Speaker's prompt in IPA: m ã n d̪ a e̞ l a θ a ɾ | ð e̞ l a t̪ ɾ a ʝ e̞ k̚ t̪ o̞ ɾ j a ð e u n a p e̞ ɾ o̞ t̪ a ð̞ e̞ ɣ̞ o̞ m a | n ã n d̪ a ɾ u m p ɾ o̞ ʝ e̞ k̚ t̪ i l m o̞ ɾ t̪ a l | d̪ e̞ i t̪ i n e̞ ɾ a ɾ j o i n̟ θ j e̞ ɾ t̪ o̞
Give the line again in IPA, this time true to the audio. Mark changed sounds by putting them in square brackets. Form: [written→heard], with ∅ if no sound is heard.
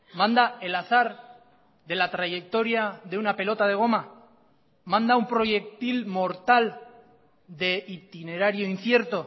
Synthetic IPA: m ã n d̪ a e̞ l a θ a ɾ | ð e̞ l a t̪ ɾ a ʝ e̞ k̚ t̪ o̞ ɾ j a ð e u n a p e̞ [ɾ→l] o̞ t̪ a ð̞ e̞ ɣ̞ o̞ m a | [n→m] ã n d̪ a [ɾ→∅] u m p ɾ o̞ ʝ e̞ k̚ t̪ i l m o̞ ɾ t̪ a l | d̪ e̞ i t̪ i n e̞ ɾ a ɾ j o i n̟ θ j e̞ ɾ t̪ o̞